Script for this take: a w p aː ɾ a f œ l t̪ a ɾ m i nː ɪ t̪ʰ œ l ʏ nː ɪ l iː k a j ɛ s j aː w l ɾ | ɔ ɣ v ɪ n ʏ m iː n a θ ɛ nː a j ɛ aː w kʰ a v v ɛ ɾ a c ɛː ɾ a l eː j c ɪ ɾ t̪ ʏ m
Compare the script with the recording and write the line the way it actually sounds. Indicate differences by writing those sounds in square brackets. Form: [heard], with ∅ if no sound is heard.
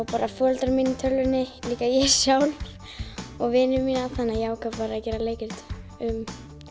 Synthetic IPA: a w p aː ɾ a f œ l t̪ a ɾ m i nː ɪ t̪ʰ œ l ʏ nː ɪ l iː k a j ɛ s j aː w l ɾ | ɔ ɣ v ɪ n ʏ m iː n a θ [a] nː a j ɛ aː w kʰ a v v [a] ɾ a c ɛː ɾ a l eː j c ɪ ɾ t̪ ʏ m